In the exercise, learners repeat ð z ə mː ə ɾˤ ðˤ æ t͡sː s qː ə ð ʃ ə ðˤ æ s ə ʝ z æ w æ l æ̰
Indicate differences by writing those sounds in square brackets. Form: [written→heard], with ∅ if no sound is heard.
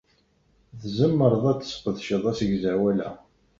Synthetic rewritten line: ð z ə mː ə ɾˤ ðˤ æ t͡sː s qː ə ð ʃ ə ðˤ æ s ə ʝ z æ w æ l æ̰